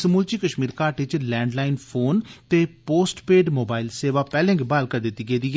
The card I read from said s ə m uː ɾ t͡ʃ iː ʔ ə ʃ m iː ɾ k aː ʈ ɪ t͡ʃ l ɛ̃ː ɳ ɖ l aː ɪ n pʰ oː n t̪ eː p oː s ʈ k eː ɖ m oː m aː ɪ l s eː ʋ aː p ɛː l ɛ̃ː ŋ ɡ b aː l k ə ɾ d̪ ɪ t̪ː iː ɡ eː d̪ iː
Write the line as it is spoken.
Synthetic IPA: s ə m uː l t͡ʃ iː k ə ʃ m iː ɾ k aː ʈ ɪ t͡ʃ l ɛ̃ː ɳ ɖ l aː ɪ n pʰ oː n t̪ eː p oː s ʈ p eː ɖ m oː b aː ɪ l s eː ʋ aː p ɛː l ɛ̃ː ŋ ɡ b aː l k ə ɾ d̪ ɪ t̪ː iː ɡ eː d̪ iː